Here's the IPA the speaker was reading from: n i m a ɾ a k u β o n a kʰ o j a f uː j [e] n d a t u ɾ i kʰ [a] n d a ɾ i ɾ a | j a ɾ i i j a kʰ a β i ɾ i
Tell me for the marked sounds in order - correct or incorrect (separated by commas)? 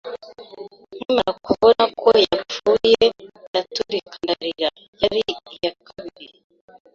correct, correct